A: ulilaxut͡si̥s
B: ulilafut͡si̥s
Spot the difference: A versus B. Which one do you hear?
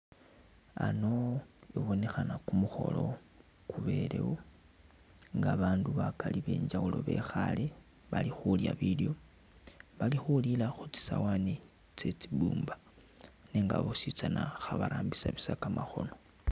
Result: A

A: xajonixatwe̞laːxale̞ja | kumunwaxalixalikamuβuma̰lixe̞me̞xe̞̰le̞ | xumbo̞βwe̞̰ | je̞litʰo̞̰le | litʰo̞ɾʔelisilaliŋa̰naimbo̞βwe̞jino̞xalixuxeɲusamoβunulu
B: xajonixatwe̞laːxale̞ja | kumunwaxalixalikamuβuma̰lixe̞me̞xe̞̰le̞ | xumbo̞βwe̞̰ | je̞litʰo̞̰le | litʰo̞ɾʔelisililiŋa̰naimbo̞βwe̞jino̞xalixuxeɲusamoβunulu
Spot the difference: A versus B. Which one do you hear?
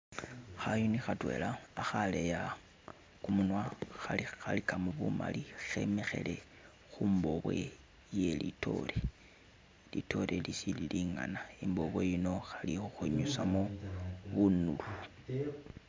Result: B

